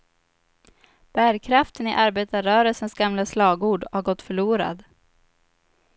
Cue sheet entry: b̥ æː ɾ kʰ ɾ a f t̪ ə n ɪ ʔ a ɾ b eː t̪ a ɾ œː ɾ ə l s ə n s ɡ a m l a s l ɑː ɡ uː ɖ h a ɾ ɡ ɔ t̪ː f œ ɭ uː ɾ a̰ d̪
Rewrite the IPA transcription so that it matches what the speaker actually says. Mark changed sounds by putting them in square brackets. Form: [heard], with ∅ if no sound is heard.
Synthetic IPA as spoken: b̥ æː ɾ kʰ ɾ a f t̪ ə n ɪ ʔ a ɾ b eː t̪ a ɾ œː ɾ ə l s ə n s ɡ a m l a s l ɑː ɡ uː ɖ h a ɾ ɡ ɔ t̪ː f œ ɭ uː ɾ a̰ d̪